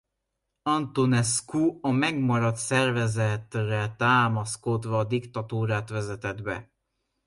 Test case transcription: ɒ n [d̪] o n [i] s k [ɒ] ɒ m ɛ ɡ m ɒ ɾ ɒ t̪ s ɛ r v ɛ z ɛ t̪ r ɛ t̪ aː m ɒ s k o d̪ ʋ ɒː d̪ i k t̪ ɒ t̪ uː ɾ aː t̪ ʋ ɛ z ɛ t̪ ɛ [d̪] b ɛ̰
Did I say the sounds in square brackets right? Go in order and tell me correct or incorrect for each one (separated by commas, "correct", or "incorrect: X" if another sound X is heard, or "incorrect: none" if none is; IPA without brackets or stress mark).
incorrect: t̪, incorrect: ɛ, incorrect: u, correct